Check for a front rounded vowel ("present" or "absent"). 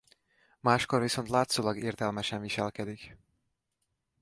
absent